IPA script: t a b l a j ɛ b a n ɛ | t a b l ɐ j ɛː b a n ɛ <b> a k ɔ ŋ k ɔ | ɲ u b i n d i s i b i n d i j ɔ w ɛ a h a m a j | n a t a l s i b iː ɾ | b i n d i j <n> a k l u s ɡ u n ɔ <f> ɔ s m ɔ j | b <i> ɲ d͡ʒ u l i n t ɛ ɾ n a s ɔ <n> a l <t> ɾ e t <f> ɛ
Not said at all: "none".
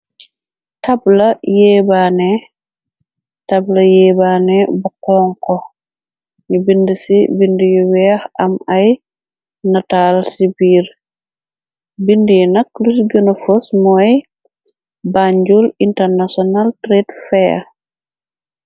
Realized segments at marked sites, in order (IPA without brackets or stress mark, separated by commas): b, n, f, a, n, t, f